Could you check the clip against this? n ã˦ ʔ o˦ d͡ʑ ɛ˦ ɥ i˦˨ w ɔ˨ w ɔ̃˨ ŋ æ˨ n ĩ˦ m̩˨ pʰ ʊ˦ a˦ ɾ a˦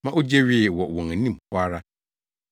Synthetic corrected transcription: m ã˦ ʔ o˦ d͡ʑ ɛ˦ ɥ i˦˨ w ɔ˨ w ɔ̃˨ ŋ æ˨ n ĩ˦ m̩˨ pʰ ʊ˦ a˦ ɾ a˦